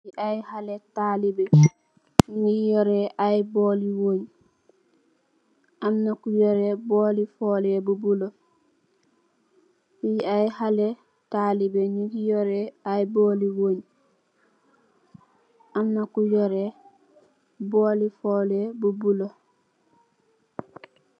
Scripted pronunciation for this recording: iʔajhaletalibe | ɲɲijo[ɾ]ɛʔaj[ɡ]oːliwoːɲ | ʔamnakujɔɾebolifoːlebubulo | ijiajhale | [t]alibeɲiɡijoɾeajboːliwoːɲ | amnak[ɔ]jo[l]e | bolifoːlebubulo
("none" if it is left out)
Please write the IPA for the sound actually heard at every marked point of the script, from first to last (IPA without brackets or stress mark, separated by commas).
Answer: ɾ, b, t, u, ɾ